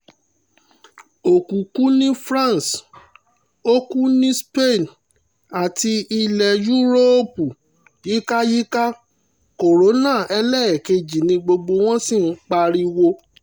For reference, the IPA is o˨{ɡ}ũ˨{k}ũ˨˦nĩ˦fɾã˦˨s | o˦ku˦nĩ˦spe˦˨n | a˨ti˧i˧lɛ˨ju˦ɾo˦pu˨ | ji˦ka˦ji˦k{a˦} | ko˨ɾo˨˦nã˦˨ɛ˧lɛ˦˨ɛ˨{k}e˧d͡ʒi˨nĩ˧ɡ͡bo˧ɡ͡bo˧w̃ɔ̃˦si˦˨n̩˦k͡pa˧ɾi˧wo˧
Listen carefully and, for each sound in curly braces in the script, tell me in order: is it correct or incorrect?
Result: incorrect: k, correct, correct, correct

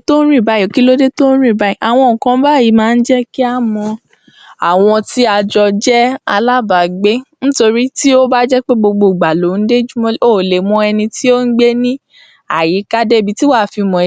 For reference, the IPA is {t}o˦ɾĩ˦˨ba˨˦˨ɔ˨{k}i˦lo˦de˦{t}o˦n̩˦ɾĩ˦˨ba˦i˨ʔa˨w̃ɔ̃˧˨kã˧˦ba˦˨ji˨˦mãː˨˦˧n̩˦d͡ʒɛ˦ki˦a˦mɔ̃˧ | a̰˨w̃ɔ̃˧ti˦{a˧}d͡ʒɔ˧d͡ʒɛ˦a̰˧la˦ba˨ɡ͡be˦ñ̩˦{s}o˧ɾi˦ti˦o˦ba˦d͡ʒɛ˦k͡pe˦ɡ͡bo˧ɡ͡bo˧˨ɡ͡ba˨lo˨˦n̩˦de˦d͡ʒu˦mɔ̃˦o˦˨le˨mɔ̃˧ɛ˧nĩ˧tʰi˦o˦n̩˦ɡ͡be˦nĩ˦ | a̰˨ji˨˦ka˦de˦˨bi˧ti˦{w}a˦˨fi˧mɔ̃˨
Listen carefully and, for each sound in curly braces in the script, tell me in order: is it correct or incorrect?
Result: correct, correct, correct, correct, incorrect: t, correct

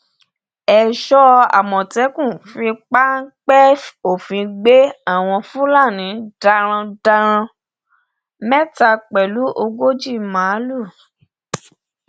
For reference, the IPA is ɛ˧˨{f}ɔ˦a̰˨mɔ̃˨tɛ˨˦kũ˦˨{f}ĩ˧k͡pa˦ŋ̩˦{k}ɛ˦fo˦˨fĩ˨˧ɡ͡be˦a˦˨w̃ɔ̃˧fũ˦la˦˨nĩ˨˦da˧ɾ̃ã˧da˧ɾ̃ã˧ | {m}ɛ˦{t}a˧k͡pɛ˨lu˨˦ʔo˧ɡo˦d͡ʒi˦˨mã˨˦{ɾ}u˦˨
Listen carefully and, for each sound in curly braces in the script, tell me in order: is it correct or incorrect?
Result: incorrect: ʃ, correct, incorrect: k͡p, correct, correct, incorrect: l

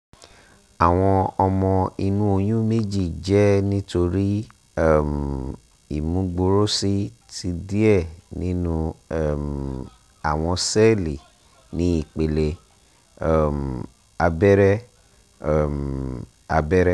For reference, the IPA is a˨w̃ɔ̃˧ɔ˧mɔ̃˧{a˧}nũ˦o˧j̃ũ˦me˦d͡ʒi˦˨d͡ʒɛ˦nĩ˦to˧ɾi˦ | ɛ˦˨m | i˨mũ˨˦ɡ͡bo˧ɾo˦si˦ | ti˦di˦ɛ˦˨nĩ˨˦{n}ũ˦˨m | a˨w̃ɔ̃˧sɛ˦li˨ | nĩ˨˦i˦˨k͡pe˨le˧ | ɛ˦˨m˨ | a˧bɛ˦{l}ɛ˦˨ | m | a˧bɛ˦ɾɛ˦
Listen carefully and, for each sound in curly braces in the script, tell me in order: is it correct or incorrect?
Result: incorrect: i˧, correct, incorrect: ɾ

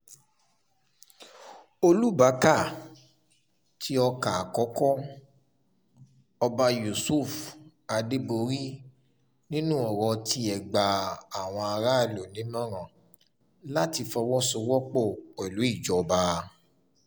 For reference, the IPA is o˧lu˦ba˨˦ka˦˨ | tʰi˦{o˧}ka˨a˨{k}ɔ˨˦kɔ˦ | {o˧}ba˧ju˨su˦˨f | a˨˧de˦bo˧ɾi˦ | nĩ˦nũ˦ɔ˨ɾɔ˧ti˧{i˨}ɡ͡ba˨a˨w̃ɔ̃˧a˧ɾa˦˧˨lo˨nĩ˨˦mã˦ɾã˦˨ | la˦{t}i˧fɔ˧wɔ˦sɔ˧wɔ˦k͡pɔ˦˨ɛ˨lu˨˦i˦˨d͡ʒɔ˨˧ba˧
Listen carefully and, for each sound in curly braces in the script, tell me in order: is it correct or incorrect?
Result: incorrect: ɔ˧, correct, incorrect: ɔ˧, incorrect: ɛ˨, correct

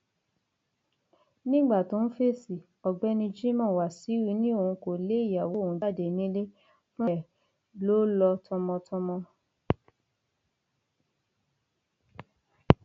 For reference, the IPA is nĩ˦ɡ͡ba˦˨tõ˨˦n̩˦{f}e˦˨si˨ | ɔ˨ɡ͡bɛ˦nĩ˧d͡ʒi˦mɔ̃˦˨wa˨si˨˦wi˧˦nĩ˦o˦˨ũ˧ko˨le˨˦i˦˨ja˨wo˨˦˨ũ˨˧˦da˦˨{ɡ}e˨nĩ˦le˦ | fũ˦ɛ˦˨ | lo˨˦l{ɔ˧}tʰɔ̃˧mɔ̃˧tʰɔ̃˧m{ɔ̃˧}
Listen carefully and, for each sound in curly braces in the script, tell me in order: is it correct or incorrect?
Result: correct, incorrect: d, correct, correct

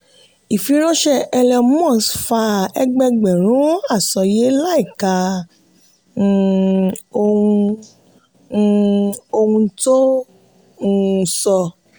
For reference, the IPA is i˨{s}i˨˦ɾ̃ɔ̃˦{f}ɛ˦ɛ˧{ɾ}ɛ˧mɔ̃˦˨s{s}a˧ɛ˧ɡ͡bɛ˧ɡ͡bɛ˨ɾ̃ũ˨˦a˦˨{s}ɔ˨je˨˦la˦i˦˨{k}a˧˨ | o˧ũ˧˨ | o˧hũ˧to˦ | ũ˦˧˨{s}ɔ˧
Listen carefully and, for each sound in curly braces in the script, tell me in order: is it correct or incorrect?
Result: incorrect: f, incorrect: ʃ, incorrect: l, incorrect: f, correct, correct, correct

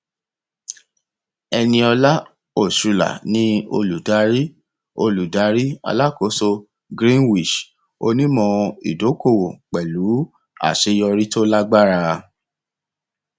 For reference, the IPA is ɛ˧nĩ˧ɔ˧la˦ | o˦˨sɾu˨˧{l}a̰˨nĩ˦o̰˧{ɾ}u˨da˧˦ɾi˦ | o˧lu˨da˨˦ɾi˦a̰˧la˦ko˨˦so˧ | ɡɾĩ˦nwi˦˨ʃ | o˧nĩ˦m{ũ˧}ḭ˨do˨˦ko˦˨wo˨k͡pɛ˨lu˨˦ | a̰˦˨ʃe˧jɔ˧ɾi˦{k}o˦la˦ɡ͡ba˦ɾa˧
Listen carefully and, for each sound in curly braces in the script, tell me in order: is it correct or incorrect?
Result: correct, incorrect: l, incorrect: ɔ̃˧, incorrect: t

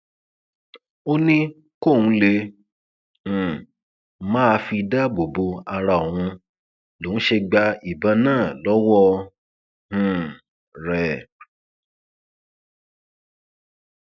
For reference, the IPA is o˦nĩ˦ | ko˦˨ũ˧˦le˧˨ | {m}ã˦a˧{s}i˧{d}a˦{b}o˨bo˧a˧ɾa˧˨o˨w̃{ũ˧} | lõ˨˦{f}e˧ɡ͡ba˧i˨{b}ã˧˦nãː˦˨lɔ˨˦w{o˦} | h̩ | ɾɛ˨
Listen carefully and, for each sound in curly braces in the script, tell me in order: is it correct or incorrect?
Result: correct, incorrect: f, correct, correct, correct, incorrect: ʃ, correct, incorrect: ɔ˦

